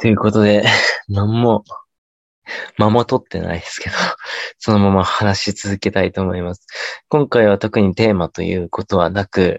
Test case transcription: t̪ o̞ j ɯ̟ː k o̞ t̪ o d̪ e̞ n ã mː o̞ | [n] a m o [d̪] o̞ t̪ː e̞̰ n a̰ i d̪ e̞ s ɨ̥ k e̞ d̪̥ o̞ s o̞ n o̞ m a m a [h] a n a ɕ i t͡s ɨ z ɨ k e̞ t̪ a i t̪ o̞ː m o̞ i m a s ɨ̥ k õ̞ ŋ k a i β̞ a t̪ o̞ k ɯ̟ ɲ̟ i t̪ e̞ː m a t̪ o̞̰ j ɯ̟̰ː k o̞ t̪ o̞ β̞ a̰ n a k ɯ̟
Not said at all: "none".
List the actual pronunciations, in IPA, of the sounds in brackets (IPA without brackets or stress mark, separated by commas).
m, t̪, h